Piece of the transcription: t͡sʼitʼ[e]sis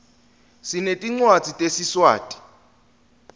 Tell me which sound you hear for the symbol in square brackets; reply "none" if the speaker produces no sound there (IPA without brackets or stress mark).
e